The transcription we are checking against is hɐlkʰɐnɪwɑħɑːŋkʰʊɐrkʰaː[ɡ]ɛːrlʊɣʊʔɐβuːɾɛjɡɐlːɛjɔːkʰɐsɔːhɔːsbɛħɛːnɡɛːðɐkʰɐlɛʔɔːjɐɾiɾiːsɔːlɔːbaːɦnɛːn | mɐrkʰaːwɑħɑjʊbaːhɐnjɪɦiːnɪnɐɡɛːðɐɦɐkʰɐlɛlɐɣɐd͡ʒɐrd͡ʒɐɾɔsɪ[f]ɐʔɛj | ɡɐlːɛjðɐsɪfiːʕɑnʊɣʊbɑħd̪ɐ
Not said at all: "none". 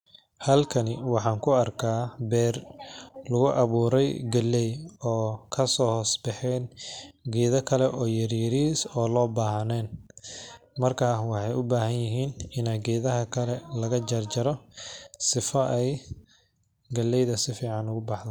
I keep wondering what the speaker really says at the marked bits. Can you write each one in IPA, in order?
b, f

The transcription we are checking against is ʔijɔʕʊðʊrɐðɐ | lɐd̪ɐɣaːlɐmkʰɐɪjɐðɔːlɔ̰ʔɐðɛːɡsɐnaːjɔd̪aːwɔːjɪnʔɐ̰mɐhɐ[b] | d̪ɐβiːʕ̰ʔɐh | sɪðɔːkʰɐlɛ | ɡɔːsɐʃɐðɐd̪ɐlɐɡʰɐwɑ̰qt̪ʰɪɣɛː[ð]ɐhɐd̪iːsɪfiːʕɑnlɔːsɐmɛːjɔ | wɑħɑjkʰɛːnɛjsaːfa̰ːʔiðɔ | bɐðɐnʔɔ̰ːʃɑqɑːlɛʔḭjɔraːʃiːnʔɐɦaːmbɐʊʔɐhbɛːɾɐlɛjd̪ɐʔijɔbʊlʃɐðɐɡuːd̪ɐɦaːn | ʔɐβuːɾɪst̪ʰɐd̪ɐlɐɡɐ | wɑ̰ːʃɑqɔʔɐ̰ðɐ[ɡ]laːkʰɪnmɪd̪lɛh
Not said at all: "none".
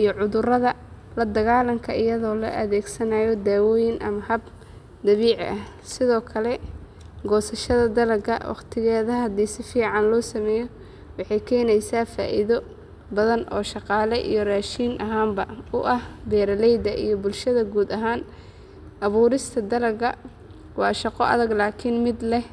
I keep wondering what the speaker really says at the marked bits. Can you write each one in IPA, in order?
b, ð, ɡ

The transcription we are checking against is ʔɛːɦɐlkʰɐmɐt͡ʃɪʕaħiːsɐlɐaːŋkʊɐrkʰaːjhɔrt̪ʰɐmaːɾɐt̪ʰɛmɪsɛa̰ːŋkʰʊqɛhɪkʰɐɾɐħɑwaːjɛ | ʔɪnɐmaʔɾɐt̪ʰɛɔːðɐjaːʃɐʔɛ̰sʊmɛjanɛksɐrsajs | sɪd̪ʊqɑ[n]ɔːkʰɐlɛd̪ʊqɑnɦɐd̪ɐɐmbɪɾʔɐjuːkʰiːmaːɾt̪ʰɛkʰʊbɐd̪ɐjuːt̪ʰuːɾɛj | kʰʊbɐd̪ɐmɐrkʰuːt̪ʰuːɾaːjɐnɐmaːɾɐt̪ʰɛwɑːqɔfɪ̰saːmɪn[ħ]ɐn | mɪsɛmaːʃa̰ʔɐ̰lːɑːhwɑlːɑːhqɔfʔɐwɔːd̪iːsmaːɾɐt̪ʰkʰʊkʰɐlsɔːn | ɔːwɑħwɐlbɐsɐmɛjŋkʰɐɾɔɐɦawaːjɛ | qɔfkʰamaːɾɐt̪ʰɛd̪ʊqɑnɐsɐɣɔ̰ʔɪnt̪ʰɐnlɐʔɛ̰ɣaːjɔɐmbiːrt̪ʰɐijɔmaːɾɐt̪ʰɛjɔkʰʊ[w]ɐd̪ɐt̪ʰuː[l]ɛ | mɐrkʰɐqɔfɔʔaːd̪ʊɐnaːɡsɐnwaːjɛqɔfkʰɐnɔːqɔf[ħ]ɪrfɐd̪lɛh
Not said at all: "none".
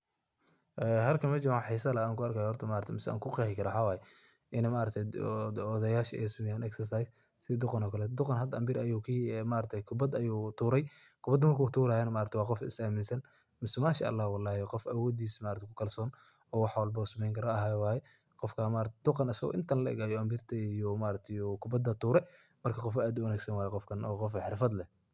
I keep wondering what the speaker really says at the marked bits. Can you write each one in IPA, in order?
n, s, b, ɾ, ħ

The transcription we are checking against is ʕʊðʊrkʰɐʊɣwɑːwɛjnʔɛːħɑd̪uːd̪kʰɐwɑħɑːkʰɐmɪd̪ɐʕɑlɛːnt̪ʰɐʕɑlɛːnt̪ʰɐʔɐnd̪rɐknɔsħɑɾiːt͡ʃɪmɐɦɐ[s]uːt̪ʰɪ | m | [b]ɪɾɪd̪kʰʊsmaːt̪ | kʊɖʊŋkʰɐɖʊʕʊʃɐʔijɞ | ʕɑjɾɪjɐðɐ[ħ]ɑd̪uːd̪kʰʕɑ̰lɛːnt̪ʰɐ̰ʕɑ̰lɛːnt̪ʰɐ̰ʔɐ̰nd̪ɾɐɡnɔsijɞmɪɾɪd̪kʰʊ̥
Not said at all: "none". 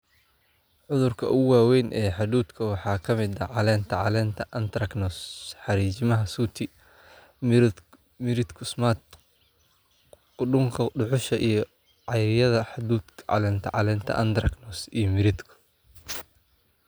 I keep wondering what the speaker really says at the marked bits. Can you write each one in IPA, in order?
s, m, ħ

